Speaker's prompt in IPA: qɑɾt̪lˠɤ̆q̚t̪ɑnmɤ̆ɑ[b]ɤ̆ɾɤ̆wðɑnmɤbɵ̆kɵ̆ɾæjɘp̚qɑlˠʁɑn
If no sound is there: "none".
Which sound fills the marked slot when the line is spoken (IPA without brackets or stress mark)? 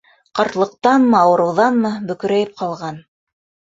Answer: w